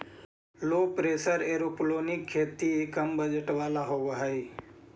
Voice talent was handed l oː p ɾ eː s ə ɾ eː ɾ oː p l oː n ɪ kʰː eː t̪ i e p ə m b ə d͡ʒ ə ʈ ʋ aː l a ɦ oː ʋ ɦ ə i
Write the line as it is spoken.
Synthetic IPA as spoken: l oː p ɾ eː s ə ɾ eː ɾ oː p l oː n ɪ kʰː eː t̪ i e k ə m b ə d͡ʒ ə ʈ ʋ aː l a ɦ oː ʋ ɦ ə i